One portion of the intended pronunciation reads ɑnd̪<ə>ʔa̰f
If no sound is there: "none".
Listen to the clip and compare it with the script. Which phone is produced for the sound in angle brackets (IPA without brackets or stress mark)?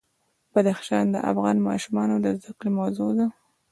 ə